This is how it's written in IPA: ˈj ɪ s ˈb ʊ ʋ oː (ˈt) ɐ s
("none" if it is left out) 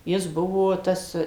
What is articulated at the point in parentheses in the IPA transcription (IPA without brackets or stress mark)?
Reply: t